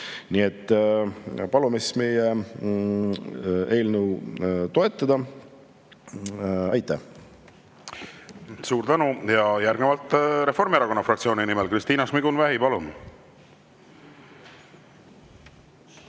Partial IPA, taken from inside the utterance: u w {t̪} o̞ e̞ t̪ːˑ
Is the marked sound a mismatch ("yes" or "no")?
no